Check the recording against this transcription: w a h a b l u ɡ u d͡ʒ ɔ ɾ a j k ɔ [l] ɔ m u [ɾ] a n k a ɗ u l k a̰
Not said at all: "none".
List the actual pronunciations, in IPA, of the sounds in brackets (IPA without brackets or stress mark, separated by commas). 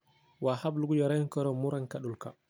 ɾ, ɾ